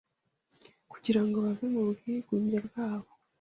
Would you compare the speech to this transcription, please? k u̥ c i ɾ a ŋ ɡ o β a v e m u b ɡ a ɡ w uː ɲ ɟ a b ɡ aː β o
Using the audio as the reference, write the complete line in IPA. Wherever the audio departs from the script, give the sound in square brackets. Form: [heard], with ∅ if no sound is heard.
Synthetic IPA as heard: k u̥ [ɟ] i ɾ a ŋ ɡ o β a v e m u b ɡ [i] ɡ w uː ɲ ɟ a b ɡ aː β o